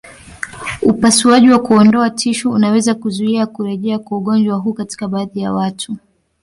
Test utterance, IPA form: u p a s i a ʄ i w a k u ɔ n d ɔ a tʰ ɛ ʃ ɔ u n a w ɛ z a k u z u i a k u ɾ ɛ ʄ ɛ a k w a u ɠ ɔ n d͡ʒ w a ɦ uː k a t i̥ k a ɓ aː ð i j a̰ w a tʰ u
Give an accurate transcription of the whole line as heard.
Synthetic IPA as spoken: u p a s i a ʄ i w a k u ɔ n d ɔ a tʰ i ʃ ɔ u n a w ɛ z a k u z u i a k u ɾ ɛ ʄ ɛ a k w a u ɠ ɔ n d͡ʒ w a ɦ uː k a t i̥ k a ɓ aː ð i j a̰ w a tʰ u